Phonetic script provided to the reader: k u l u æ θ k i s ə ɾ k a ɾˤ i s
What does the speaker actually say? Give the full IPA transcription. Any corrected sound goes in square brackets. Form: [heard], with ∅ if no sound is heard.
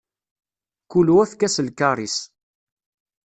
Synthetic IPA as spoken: k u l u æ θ k [æ] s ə [l] k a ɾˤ i s